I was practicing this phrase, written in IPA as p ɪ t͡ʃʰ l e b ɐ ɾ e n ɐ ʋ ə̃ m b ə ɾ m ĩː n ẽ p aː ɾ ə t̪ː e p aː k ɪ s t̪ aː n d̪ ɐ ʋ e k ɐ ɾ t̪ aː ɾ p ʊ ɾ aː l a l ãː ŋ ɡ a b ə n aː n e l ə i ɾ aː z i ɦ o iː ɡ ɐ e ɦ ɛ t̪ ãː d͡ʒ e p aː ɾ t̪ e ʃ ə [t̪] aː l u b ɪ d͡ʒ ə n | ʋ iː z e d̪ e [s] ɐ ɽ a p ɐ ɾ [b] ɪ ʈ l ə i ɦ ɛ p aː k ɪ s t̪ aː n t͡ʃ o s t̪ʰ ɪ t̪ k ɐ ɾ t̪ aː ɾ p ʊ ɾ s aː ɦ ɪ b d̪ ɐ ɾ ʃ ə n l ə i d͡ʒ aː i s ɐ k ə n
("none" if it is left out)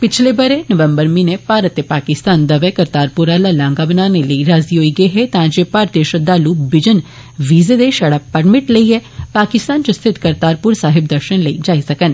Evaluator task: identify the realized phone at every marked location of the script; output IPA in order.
d̪, ʃ, m

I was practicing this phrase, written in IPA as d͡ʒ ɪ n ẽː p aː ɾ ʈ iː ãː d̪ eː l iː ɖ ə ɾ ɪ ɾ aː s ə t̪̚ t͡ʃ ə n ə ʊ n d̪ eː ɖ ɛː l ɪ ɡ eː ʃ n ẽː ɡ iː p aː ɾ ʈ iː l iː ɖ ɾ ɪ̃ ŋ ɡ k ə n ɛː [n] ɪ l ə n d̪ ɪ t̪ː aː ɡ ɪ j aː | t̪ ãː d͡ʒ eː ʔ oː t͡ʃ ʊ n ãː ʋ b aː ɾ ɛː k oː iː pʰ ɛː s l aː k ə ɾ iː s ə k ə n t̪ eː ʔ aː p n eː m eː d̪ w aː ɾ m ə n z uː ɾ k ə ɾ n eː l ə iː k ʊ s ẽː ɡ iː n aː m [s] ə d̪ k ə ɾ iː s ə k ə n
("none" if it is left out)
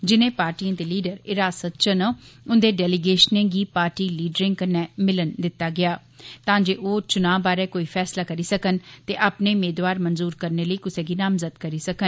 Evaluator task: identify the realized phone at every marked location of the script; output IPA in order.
m, z

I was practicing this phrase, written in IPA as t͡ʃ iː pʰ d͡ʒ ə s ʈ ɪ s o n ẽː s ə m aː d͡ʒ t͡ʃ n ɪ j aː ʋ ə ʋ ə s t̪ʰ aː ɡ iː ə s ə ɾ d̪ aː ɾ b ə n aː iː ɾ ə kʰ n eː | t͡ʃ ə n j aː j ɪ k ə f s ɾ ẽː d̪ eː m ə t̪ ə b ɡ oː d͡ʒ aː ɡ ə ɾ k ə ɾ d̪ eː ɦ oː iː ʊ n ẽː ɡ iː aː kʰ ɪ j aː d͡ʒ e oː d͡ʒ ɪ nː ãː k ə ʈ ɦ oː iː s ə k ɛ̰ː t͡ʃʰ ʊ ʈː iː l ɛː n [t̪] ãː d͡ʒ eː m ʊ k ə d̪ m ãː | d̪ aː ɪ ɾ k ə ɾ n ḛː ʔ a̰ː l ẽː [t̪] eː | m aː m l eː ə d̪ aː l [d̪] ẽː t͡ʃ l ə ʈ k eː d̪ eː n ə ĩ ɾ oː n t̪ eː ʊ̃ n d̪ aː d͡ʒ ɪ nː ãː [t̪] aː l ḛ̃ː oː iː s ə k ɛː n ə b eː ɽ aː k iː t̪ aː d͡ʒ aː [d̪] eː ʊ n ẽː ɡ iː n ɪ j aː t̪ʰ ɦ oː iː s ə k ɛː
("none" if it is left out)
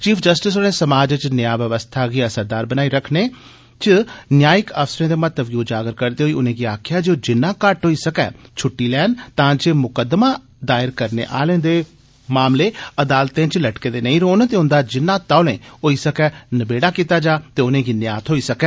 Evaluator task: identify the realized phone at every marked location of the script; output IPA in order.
t̪, d̪, t̪, t̪, t̪

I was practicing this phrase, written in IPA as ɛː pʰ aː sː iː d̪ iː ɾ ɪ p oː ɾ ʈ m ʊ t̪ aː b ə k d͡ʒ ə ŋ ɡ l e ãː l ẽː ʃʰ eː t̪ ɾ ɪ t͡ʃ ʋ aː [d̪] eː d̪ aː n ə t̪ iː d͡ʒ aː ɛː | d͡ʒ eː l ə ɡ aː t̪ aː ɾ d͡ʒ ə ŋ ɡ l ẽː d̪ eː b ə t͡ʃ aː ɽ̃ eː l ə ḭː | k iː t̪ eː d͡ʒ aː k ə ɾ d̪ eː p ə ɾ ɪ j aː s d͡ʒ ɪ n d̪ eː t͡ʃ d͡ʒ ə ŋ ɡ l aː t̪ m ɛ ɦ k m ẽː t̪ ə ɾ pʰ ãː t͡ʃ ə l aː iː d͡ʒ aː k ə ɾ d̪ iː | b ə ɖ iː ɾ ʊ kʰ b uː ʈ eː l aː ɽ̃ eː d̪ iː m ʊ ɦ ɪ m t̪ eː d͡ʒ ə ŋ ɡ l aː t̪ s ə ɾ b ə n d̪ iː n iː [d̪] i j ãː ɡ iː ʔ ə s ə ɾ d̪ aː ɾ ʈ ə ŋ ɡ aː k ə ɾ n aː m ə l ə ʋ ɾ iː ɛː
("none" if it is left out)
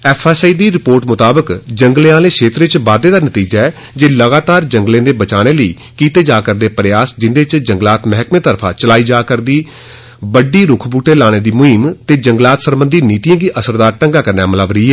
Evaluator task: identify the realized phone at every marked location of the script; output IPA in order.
d̪, t̪

